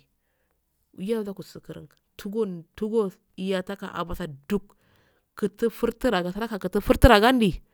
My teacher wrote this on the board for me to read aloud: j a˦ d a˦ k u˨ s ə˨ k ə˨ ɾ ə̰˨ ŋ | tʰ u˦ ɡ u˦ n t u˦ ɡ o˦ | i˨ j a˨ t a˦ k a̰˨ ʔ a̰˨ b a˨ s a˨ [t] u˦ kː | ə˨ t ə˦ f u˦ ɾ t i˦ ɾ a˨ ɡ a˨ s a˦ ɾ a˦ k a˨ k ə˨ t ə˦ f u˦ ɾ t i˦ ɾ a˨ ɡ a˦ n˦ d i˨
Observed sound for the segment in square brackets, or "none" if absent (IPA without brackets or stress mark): d